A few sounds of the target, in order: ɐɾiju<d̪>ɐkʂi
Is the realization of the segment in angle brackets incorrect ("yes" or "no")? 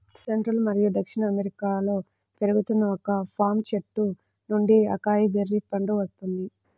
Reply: no